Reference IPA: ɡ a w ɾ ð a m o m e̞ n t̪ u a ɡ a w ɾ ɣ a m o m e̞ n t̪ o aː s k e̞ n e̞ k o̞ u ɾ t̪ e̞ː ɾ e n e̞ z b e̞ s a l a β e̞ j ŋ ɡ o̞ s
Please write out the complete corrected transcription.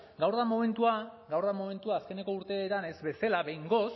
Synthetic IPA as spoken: ɡ a w ɾ ð a m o m e̞ n t̪ u a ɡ a w ɾ ð a m o m e̞ n t̪ u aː s k e̞ n e̞ k o̞ u ɾ t̪ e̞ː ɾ a n e̞ z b e̞ s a l a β e̞ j ŋ ɡ o̞ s

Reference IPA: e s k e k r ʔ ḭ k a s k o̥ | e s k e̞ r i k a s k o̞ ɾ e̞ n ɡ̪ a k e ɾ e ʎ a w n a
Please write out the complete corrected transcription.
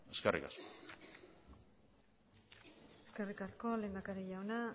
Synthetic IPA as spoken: e s k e r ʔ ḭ k a s k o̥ | e s k e̞ r i k a s k o̞ l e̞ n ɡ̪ a k a ɾ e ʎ a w n a

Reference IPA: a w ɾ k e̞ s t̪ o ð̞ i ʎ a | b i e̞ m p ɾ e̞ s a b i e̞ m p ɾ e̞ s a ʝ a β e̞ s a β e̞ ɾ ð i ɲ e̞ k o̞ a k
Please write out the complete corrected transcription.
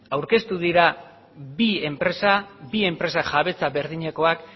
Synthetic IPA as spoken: a w ɾ k e̞ s t̪ u ð̞ i ɾ a | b i e̞ m p ɾ e̞ s a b i e̞ m p ɾ e̞ s a ʝ a β e̞ t͡s a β e̞ ɾ ð i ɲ e̞ k o̞ a k

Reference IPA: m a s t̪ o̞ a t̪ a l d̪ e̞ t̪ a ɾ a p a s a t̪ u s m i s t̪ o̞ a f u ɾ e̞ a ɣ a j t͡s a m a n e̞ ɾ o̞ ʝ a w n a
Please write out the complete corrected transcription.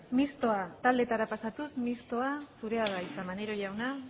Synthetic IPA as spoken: m i s t̪ o̞ a t̪ a l d̪ e̞ t̪ a ɾ a p a s a t̪ u s m i s t̪ o̞ a s u ɾ e̞ a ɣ a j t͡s a m a n e̞ ɾ o̞ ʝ a w n a

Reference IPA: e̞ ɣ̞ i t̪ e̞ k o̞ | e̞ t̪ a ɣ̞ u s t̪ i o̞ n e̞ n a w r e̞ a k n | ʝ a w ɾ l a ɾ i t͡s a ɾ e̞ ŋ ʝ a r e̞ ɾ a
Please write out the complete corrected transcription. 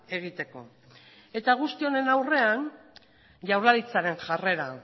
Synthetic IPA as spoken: e̞ ɣ̞ i t̪ e̞ k o̞ | e̞ t̪ a ɣ̞ u s t̪ i o̞ n e̞ n a w r e̞ a n | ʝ a w ɾ l a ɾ i t͡s a ɾ e̞ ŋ ʝ a r e̞ ɾ a

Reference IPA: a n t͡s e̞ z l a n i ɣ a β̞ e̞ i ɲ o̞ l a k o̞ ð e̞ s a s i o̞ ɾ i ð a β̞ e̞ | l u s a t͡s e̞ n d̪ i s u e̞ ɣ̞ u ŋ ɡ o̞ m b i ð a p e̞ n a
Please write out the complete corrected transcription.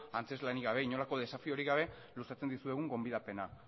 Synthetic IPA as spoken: a n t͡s e̞ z l a n i ɣ a β̞ e̞ i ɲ o̞ l a k o̞ ð e̞ s a f i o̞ ɾ i ɣ a β̞ e̞ | l u s a t͡s e̞ n d̪ i s u e̞ ɣ̞ u ŋ ɡ o̞ m b i ð a p e̞ n a

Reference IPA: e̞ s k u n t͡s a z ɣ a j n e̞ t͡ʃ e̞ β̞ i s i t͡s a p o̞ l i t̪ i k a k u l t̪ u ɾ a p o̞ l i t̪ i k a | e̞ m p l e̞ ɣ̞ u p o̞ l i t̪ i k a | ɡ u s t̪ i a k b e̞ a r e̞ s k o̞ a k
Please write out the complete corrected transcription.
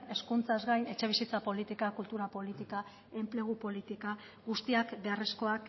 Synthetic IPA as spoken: e̞ s k u n t͡s a z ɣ a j n e̞ t͡ʃ e̞ β̞ i s i t͡s a p o̞ l i t̪ i k a k u l t̪ u ɾ a p o̞ l i t̪ i k a | e̞ m p l e̞ ɣ̞ u p o̞ l i t̪ i k a | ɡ u s t̪ i a k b e̞ a r e̞ s k o̞ a k

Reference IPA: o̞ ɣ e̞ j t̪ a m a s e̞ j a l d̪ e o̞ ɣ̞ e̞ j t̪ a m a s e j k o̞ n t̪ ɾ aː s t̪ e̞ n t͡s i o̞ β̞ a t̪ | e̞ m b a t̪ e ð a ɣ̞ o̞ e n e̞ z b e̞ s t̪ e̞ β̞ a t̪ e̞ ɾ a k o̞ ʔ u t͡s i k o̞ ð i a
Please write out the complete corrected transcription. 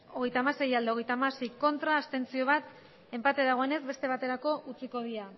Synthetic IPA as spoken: o̞ ɣ e̞ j t̪ a m a s e̞ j a l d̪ e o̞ ɣ̞ e̞ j t̪ a m a s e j k o̞ n t̪ ɾ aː s t̪ e̞ n t͡s i o̞ β̞ a t̪ | e̞ m p a t̪ e ð a ɣ̞ o̞ e n e̞ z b e̞ s t̪ e̞ β̞ a t̪ e̞ ɾ a k o̞ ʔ u t͡s i k o̞ ð i a

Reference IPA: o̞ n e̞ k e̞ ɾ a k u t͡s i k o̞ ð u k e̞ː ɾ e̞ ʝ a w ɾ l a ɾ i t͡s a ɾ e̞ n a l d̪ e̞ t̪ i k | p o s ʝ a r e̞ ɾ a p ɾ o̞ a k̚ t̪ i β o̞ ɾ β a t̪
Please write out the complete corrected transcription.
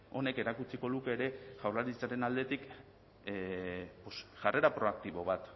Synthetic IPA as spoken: o̞ n e̞ k e̞ ɾ a k u t͡s i k o̞ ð u k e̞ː ɾ e̞ ʝ a w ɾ l a ɾ i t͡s a ɾ e̞ n a l d̪ e̞ t̪ i k | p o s ʝ a r e̞ ɾ a p ɾ o̞ a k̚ t̪ i β o̞ β a t̪

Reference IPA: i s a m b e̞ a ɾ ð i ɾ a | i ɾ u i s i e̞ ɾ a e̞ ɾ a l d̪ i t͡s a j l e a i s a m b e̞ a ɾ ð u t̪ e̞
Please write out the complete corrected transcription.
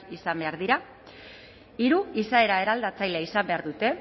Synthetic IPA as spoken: i s a m b e̞ a ɾ ð i ɾ a | i ɾ u i s a e̞ ɾ a e̞ ɾ a l d̪ a t͡s a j l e a i s a m b e̞ a ɾ ð u t̪ e̞

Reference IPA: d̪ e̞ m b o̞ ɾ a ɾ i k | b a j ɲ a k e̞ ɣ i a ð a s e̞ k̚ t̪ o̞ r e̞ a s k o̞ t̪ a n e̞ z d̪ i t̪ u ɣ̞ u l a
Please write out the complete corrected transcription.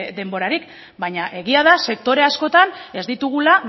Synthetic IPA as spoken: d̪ e̞ m b o̞ ɾ a ɾ i k | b a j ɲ a ʔ e̞ ɣ i a ð a s e̞ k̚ t̪ o̞ ɾ e̞ a s k o̞ t̪ a n e̞ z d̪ i t̪ u ɣ̞ u l a

